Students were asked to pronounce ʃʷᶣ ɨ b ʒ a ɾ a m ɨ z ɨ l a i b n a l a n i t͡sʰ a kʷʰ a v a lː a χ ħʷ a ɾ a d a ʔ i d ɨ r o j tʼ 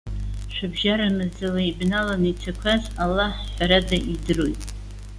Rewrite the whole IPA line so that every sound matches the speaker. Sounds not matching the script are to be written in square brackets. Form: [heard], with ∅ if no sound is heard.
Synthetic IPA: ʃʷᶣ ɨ b ʒ a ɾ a m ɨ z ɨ l a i b n a l a n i t͡sʰ a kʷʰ a [z] a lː a [ħ] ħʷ a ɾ a d a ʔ i d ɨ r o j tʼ